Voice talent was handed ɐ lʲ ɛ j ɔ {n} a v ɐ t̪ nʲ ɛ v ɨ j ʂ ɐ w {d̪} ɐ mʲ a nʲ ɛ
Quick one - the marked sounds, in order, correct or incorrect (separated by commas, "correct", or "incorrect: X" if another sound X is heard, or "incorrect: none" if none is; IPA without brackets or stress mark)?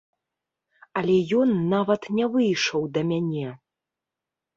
incorrect: nː, correct